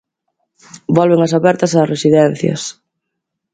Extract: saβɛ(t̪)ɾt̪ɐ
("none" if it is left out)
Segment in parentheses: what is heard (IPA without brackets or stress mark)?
none